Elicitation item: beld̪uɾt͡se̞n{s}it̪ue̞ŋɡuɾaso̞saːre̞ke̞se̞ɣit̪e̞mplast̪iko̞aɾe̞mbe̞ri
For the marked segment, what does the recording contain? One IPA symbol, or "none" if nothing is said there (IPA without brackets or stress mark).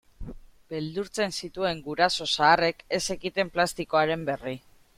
s